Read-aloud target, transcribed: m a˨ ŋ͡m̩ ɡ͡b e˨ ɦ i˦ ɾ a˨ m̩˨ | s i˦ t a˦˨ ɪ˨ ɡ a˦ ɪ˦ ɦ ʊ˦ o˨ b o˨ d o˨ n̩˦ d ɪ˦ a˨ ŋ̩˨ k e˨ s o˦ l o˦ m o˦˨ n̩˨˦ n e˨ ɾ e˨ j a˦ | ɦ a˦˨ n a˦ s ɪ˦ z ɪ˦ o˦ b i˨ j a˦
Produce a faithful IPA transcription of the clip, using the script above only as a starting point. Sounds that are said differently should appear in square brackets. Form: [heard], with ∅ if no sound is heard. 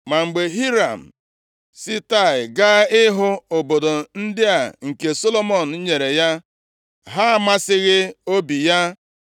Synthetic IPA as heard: m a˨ ŋ͡m̩ ɡ͡b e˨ ɦ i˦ ɾ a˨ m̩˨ | s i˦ t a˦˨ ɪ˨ ɡ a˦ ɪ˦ ɦ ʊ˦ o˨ b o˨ d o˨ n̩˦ d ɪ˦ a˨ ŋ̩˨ k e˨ s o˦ l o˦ m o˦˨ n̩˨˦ [ɲ] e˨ ɾ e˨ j a˦ | ɦ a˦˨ [m] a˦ s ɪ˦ [ɣ] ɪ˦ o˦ b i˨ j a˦